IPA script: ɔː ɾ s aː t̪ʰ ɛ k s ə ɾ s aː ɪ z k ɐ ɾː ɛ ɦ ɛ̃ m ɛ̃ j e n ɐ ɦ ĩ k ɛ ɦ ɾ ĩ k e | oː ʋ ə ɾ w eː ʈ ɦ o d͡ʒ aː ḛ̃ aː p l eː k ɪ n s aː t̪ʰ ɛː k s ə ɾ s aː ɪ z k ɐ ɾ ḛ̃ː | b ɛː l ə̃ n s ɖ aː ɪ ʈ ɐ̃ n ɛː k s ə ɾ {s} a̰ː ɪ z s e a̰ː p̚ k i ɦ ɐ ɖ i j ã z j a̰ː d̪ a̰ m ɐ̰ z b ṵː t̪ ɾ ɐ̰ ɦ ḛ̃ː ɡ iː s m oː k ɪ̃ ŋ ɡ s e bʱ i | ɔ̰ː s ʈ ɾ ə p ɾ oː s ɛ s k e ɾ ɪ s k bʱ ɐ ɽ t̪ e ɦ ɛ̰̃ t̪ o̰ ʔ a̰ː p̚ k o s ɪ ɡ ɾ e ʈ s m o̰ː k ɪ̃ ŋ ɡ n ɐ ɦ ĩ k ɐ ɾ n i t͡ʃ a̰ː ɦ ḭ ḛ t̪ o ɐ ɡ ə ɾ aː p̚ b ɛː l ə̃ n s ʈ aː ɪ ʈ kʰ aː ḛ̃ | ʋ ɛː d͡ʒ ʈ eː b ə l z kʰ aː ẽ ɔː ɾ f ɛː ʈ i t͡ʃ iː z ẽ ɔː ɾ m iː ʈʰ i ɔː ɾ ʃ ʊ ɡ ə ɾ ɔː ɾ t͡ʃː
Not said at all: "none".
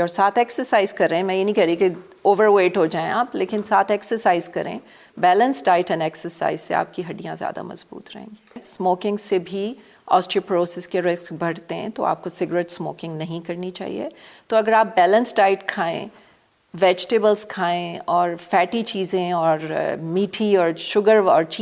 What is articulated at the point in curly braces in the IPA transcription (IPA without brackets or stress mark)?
s